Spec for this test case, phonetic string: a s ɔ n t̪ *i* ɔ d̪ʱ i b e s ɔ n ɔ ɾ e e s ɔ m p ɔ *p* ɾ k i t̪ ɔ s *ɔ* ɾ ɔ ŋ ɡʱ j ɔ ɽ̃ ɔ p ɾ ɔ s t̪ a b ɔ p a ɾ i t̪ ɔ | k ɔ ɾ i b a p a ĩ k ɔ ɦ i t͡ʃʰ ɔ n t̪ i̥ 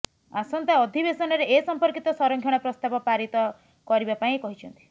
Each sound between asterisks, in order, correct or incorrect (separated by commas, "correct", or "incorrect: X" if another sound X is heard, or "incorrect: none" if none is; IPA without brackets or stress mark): incorrect: a, incorrect: none, correct